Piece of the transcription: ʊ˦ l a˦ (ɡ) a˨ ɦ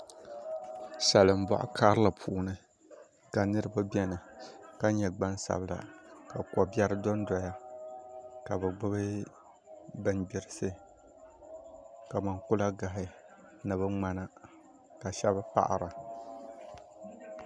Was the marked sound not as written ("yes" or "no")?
no